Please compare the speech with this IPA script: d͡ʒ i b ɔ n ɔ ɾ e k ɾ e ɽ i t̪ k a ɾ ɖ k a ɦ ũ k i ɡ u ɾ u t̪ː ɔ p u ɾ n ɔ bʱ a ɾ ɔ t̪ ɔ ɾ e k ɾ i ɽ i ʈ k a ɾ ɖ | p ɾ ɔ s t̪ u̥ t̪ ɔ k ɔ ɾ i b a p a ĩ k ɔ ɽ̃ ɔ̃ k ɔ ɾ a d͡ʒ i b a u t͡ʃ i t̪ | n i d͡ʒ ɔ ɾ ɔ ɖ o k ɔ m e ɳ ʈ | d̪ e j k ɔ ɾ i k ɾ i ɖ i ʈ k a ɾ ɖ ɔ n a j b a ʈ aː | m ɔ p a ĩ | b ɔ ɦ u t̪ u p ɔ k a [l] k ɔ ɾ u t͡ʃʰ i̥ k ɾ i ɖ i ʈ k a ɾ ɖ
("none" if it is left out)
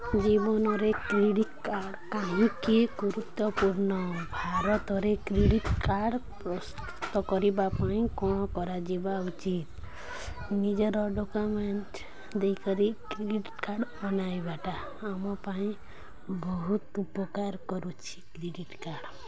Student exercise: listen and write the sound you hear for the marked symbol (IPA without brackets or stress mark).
ɾ